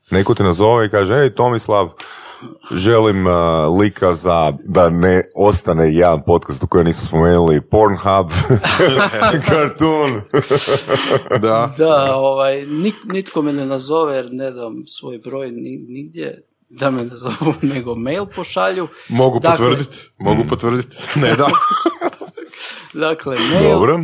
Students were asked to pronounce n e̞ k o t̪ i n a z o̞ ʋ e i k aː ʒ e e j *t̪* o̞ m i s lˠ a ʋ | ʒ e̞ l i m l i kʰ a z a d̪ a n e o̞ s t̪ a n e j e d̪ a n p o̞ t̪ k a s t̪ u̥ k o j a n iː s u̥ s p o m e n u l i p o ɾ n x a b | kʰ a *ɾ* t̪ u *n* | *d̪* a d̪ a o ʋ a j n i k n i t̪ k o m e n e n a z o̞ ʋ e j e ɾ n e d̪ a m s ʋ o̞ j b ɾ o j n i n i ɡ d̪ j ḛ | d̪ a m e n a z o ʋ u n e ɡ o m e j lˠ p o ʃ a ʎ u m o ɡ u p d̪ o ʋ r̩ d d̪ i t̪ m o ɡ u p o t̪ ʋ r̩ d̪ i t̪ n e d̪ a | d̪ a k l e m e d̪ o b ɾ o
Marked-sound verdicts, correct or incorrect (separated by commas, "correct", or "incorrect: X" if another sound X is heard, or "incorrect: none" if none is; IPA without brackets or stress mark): correct, correct, correct, correct